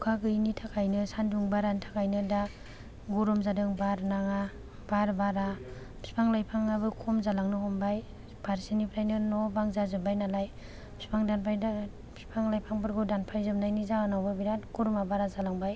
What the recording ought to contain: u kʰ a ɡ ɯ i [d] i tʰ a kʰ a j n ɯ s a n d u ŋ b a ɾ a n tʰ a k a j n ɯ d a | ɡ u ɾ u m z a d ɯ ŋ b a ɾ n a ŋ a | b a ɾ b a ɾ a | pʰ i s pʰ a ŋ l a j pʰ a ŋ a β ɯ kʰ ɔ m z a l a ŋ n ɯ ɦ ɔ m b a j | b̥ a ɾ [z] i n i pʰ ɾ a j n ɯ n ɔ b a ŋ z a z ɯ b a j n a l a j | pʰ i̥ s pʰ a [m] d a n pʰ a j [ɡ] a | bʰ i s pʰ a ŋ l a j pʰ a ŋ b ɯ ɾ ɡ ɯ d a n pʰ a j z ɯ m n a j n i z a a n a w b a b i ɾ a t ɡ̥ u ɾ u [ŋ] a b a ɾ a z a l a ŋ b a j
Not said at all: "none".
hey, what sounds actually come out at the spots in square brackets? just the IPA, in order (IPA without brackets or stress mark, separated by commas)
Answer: n, s, ŋ, d, m